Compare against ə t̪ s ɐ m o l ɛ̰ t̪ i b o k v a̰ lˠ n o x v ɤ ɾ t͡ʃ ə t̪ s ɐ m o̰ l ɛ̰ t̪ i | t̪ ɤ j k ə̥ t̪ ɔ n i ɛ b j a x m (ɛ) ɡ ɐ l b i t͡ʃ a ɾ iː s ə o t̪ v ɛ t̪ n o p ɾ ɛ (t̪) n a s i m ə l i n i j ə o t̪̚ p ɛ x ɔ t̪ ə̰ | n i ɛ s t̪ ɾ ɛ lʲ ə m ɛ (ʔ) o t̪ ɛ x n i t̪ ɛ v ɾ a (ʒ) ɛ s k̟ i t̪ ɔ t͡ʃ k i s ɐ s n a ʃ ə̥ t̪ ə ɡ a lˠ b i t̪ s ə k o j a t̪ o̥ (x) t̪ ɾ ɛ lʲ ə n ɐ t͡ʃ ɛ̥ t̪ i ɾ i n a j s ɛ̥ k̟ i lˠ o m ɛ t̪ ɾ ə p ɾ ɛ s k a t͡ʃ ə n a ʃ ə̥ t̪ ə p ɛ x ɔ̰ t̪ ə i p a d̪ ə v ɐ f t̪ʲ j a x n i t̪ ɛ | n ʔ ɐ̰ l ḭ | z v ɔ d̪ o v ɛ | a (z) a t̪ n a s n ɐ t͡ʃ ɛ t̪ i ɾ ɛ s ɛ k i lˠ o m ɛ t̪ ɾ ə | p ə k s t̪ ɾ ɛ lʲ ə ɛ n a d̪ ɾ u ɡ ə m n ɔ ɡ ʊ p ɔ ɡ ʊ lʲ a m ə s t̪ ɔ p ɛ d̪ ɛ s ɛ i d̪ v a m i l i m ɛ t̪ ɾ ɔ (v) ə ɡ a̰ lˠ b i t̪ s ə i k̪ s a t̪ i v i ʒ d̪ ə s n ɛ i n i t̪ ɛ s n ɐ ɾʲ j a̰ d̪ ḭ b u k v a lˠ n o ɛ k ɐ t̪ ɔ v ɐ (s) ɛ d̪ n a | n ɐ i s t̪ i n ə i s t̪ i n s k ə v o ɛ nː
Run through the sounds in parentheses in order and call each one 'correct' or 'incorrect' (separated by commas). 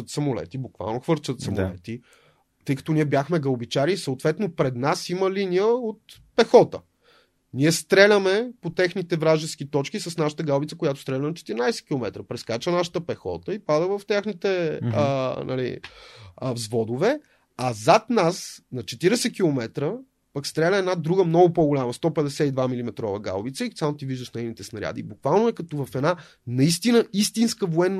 correct, incorrect, incorrect, correct, incorrect, correct, correct, incorrect